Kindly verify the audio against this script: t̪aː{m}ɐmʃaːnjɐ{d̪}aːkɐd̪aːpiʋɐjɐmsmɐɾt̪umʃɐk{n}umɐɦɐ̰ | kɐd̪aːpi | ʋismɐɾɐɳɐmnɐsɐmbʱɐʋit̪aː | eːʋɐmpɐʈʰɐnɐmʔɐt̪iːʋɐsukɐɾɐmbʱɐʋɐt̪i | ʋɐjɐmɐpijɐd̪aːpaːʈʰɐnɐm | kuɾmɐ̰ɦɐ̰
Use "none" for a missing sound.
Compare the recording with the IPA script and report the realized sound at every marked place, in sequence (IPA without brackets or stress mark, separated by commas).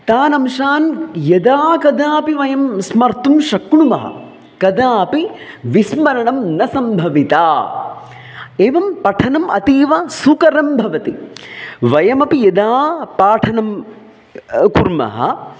n, d̪, ɳ